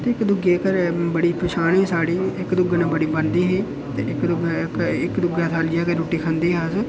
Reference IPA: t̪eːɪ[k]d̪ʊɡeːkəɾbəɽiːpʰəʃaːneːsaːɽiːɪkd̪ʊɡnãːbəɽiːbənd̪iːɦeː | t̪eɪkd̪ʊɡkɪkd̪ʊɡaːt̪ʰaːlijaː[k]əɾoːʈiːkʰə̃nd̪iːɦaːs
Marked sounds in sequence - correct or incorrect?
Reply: correct, correct

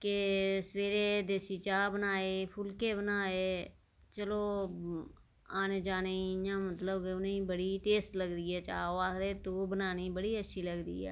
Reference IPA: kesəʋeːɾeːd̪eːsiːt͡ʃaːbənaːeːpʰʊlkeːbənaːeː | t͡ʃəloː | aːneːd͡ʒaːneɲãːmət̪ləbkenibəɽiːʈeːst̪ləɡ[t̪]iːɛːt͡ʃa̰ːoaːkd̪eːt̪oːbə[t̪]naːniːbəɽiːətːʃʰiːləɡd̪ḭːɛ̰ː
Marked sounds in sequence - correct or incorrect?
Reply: incorrect: d̪, incorrect: none

